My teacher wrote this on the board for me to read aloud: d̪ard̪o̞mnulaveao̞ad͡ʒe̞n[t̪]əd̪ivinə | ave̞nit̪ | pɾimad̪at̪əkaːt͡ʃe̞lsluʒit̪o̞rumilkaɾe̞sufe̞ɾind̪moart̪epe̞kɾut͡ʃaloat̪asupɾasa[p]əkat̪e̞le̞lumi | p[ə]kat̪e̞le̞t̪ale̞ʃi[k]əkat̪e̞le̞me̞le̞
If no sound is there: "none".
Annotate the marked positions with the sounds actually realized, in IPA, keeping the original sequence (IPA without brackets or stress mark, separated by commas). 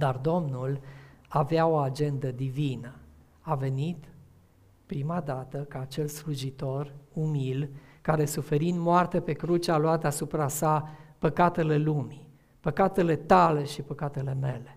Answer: d̪, p, ə, p